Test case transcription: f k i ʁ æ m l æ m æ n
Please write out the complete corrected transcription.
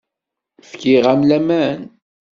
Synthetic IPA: f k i ʁ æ m l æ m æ n